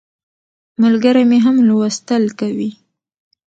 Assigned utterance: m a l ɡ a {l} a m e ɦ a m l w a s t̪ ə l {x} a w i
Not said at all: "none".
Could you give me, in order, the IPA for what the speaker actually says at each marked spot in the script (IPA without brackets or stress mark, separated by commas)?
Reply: ɾ, k